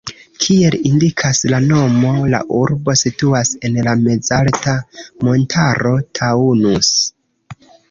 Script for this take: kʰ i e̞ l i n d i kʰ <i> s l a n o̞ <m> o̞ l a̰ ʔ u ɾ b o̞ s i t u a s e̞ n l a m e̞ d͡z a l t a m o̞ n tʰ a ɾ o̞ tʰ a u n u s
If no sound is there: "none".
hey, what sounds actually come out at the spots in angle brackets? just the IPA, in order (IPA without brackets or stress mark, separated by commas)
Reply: a, m